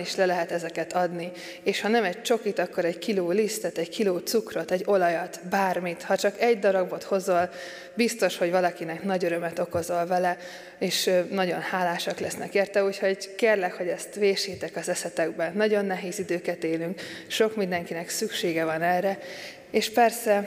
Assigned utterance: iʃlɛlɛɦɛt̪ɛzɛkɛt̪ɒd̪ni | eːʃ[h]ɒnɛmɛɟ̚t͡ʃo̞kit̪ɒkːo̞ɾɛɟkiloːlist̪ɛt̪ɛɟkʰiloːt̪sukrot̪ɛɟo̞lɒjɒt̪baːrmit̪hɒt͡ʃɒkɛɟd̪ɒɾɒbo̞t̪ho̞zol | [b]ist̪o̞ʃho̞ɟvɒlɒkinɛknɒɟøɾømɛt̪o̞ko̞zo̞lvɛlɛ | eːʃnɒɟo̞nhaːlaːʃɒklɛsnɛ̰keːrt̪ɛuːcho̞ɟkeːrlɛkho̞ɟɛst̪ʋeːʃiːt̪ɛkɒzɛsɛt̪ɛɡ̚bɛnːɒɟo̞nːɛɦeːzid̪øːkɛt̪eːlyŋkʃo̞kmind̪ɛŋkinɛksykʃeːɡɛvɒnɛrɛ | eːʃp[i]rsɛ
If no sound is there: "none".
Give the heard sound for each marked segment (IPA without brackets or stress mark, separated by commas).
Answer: h, b, ɛ